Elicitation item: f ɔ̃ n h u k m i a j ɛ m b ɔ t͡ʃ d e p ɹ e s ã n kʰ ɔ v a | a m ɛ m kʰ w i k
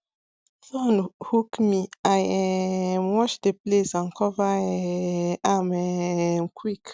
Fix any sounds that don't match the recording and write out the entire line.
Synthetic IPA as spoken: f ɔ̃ n h u k m i a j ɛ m w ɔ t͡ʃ d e p l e s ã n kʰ ɔ v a | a m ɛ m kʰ w i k

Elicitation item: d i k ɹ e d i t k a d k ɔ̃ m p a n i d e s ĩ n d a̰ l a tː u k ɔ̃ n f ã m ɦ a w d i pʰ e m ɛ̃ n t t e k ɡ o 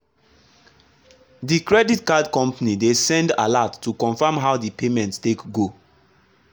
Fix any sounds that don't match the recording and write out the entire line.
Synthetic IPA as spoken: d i k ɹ ɛ d i t k a d k ɔ̃ m p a n i d e s ɛ̃ n d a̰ l a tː u k ɔ̃ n f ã m ɦ a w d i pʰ e m ɛ̃ n t t e k ɡ o

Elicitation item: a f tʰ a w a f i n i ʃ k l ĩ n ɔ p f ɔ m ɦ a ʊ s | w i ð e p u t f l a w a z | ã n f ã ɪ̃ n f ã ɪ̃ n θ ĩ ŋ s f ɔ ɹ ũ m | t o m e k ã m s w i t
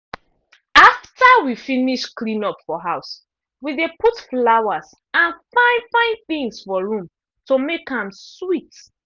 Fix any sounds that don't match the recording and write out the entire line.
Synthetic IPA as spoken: a f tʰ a w i f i n i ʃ k l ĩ n ɔ p f ɔ ɦ a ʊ s | w i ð e p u t f l a w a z | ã n f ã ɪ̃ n f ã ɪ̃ n θ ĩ ŋ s f ɔ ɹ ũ m | t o m e k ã m s w i t

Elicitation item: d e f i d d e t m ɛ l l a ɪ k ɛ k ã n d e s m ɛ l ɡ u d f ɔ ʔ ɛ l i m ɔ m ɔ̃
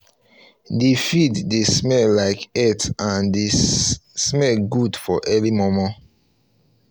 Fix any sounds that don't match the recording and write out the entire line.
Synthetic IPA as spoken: d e f i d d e s m ɛ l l a ɪ k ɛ t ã n d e s m ɛ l ɡ u d f ɔ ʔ ɛ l i m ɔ m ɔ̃

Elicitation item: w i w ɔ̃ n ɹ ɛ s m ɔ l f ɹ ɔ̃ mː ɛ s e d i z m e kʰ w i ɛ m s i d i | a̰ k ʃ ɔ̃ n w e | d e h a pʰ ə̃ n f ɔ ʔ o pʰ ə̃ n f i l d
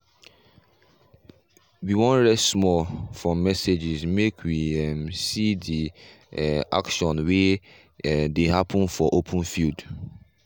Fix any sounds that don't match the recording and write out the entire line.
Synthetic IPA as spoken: w i w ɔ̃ n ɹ ɛ s m ɔ l f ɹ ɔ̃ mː ɛ s e d͡ʒ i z m e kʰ w i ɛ m s i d i | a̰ k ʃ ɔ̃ n w e | d e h a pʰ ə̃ n f ɔ ʔ o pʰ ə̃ n f i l d

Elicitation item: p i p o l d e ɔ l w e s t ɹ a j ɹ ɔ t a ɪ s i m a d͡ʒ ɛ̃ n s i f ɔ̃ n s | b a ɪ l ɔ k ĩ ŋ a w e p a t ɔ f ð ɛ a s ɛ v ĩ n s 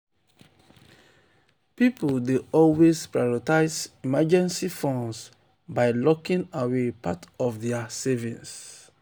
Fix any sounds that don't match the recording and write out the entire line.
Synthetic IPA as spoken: p i p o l d e ɔ l w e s p ɹ a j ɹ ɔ t a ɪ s i m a d͡ʒ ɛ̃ n s i f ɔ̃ n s | b a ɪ l ɔ k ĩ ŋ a w e p a t ɔ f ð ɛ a s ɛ v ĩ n s

